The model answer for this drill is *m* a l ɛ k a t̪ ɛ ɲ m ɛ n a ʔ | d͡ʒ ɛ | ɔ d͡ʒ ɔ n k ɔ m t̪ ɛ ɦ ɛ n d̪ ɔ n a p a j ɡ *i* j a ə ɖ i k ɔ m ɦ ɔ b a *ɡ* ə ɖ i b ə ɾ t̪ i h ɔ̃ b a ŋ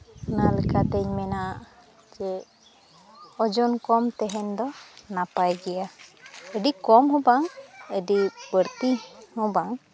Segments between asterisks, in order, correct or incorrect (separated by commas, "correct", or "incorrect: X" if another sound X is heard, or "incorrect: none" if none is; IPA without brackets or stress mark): incorrect: n, incorrect: ɛ, incorrect: ŋ